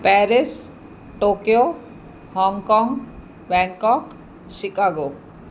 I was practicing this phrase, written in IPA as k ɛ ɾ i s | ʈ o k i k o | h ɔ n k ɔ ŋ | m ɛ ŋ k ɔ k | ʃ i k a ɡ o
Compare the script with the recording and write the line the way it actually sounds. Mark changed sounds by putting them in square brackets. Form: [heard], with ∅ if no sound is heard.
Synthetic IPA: [p] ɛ ɾ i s | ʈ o k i [∅] o | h ɔ [ŋ] k ɔ ŋ | [b] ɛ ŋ k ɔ k | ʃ i k a ɡ o